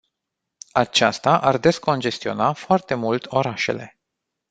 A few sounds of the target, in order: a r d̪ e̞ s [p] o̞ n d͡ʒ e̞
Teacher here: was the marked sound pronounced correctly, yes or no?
no